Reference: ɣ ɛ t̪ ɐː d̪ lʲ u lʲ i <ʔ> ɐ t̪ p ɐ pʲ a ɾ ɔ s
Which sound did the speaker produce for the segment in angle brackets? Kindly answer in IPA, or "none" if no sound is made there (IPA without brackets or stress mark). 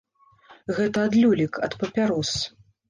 k